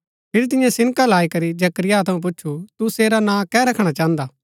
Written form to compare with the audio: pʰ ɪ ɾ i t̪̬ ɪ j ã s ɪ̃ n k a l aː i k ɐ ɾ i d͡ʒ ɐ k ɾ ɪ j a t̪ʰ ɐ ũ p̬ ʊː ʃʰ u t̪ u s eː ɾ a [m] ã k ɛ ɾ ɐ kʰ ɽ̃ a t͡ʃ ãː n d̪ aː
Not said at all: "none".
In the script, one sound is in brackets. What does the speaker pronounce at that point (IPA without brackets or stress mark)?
n